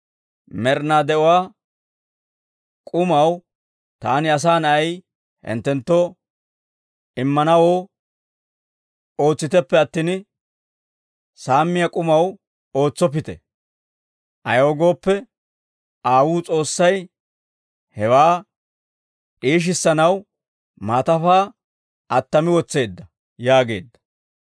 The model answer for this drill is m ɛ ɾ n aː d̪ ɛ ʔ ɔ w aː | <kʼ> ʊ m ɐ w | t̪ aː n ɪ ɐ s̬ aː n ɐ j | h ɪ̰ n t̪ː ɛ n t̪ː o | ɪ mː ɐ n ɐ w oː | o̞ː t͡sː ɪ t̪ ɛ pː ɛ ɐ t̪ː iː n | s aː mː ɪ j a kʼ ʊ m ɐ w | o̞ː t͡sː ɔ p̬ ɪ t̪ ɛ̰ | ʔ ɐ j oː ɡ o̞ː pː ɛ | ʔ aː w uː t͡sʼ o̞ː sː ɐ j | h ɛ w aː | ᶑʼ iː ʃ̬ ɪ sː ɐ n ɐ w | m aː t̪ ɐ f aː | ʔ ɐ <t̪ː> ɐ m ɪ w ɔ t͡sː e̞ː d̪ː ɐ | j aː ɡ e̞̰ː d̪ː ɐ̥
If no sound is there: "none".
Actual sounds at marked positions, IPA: kʼ, t̪ː

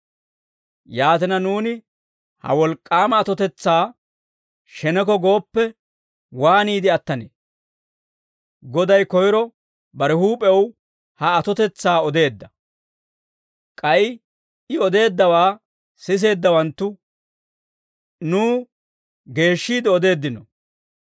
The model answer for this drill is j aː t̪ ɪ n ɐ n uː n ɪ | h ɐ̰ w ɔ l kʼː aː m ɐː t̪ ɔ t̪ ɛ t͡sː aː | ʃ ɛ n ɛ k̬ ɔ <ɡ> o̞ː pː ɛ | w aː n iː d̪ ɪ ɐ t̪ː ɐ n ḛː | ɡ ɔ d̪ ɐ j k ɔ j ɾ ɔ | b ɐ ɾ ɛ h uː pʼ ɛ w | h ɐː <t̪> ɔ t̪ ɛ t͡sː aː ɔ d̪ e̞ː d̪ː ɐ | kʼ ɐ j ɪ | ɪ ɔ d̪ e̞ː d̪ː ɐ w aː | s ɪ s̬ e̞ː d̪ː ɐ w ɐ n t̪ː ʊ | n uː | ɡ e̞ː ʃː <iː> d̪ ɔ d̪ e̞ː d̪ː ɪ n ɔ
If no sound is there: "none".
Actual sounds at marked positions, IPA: ɡ, t̪, iː

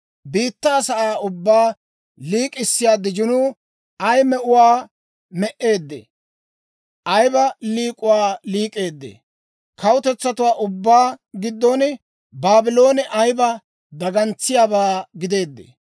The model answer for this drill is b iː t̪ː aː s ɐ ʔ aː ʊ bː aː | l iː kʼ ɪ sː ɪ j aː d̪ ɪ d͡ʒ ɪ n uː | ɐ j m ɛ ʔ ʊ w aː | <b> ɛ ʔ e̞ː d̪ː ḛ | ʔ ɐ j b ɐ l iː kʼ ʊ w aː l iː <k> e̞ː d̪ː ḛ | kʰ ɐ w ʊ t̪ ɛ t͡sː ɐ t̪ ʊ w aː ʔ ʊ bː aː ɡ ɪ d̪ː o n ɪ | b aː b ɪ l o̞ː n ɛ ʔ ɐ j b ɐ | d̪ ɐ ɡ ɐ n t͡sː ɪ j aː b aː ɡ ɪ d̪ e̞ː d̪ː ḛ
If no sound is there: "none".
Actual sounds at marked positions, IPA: m, kʼ

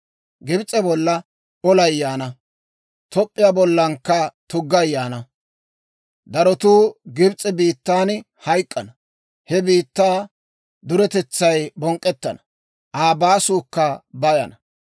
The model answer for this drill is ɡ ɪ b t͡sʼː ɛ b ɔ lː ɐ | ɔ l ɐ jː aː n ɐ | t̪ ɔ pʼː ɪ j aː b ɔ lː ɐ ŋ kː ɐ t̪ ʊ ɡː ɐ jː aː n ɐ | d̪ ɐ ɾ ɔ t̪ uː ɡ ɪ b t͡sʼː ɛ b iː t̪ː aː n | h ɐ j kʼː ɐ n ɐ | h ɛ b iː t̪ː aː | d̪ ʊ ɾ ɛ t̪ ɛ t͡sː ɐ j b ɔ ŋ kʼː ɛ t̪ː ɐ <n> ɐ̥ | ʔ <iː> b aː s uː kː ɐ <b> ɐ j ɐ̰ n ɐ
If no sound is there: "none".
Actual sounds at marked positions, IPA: n, aː, b

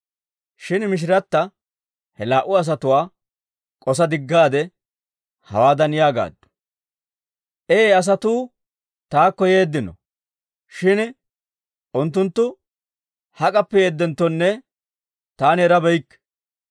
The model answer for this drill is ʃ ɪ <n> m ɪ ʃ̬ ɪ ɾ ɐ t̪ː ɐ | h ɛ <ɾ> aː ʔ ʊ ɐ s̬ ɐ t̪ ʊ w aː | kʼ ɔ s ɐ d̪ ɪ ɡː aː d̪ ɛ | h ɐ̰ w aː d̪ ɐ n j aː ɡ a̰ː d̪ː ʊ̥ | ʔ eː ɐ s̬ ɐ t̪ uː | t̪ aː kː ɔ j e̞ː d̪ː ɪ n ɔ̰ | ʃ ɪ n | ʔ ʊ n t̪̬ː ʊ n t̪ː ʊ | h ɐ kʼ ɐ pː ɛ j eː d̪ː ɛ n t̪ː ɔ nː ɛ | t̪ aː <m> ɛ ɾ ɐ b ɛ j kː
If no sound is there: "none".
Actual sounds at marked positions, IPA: n, l, n

